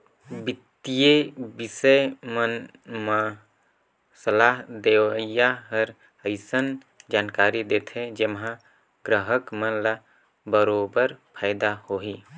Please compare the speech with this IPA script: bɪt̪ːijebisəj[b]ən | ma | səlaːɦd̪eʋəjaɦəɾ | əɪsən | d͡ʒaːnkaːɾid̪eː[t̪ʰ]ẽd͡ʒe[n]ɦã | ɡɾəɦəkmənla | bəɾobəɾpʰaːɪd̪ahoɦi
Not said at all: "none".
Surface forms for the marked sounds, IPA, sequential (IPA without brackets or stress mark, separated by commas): m, t̪ʰ, m